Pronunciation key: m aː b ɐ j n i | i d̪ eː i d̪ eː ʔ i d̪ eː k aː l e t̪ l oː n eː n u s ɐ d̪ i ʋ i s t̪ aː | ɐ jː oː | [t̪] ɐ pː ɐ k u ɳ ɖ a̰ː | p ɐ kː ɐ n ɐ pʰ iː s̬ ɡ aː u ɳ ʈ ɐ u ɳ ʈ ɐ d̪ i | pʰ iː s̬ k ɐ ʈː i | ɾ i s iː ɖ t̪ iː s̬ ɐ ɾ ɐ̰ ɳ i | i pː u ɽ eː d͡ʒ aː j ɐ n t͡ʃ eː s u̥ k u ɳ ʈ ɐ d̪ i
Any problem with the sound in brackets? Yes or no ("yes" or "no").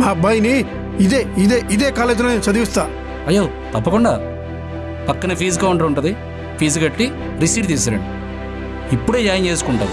no